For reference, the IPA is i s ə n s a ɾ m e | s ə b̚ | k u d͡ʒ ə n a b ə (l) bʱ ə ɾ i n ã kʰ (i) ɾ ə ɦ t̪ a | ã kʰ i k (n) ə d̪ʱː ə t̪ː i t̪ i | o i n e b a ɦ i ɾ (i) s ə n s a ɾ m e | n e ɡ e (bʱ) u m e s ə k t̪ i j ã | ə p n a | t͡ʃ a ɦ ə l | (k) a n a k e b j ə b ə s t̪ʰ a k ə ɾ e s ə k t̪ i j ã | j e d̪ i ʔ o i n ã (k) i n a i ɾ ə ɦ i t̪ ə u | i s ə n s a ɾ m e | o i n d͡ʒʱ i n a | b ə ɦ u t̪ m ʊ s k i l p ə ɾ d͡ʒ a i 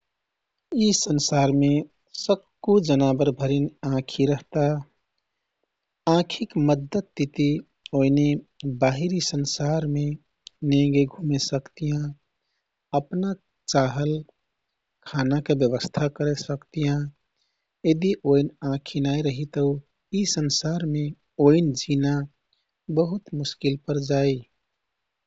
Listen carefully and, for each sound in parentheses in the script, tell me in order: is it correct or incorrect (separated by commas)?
incorrect, correct, incorrect, correct, incorrect, incorrect, incorrect